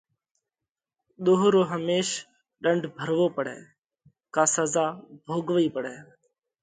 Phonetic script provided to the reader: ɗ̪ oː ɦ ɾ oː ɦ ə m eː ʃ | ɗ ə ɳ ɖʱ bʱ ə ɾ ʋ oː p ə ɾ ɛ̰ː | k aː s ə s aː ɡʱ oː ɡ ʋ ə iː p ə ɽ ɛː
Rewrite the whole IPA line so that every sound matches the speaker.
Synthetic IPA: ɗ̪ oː ɦ ɾ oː ɦ ə m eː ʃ | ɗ ə ɳ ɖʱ bʱ ə ɾ ʋ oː p ə ɽ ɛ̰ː | k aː s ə z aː bʱ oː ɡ ʋ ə iː p ə ɽ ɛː